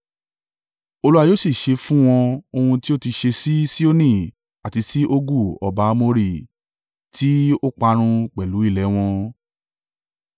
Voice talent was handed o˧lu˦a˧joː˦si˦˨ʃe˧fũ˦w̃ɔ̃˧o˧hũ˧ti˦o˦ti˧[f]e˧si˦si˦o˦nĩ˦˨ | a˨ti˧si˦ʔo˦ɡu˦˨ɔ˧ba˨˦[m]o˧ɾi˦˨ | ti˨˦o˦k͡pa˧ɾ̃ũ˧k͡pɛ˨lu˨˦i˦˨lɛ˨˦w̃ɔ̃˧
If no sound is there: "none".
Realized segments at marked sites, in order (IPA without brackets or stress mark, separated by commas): ʃ, m